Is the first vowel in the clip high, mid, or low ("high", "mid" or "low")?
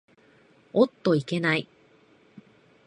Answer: mid